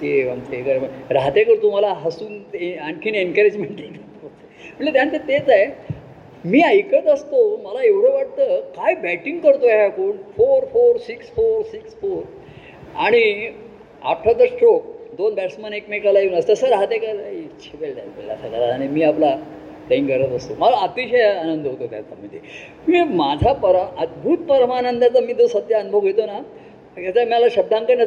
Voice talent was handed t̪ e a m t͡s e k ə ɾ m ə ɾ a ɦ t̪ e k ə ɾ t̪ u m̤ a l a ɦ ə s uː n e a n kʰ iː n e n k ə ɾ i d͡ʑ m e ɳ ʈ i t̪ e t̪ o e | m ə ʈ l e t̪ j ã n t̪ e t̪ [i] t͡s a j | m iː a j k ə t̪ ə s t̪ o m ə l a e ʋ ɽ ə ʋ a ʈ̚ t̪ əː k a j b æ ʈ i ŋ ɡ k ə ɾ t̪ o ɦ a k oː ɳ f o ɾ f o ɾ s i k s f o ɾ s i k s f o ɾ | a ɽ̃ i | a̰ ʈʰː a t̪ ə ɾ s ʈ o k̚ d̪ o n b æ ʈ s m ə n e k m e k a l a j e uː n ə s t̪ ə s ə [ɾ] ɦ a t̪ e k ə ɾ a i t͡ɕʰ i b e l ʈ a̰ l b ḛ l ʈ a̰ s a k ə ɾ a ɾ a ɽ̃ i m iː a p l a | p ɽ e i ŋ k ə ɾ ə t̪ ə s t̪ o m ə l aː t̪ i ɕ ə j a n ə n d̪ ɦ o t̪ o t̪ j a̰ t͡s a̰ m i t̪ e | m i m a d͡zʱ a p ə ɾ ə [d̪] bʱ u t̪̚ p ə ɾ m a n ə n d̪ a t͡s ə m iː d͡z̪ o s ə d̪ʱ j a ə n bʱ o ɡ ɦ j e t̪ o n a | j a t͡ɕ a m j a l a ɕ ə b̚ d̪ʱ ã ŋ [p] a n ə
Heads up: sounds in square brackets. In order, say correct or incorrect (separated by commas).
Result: incorrect, correct, correct, incorrect